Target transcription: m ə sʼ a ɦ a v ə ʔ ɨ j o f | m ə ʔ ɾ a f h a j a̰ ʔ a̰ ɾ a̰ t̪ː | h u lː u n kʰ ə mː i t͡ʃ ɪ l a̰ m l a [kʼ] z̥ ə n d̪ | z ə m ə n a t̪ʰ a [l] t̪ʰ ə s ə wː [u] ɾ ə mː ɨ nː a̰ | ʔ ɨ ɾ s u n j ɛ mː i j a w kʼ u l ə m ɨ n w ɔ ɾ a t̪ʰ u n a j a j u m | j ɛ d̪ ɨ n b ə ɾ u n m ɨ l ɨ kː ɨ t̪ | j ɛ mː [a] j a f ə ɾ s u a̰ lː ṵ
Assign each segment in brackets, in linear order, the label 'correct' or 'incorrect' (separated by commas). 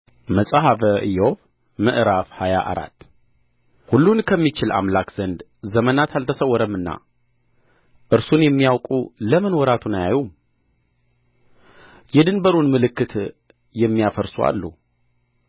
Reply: incorrect, correct, incorrect, incorrect